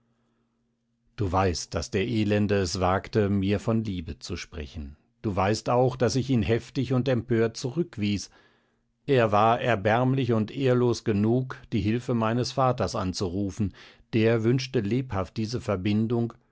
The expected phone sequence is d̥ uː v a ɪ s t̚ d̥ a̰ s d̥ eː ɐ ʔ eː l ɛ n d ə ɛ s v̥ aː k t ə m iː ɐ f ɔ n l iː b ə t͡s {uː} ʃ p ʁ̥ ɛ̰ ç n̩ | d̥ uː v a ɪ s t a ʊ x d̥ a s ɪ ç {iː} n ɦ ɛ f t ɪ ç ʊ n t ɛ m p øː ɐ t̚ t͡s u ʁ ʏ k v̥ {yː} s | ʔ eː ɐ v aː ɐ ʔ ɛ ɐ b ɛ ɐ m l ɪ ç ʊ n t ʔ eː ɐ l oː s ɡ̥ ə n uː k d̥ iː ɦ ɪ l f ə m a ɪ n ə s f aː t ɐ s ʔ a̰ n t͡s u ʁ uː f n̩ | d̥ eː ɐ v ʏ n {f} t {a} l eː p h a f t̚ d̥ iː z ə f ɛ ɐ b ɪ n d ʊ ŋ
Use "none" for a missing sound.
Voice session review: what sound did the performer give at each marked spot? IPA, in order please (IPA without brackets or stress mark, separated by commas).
u, iː, iː, ʃ, ə